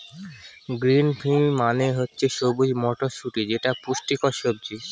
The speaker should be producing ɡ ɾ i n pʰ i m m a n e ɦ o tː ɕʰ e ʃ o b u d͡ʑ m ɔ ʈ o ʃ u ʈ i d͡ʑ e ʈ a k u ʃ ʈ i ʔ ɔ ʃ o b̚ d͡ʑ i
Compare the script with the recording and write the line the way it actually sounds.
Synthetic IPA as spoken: ɡ ɾ i n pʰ i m m a n e ɦ o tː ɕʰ e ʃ o b u d͡ʑ m ɔ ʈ o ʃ u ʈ i d͡ʑ e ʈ a p u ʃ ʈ i k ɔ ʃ o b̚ d͡ʑ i